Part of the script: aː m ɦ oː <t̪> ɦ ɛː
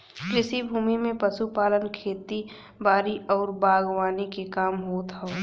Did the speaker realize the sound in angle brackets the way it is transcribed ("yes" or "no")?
yes